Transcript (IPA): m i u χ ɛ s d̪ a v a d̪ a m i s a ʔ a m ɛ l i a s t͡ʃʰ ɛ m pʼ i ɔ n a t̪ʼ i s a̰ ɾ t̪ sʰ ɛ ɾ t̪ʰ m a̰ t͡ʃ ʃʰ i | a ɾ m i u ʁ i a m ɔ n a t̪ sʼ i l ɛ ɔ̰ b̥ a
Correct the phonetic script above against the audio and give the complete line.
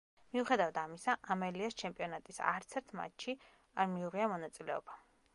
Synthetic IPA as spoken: m i u χ ɛ d̪ a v a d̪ a m i s a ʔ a m ɛ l i a s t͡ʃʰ ɛ m pʼ i ɔ n a t̪ʼ i s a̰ ɾ t̪ sʰ ɛ ɾ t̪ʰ m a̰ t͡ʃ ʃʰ i | a ɾ m i u ʁ i a m ɔ n a t̪ sʼ i l ɛ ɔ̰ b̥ a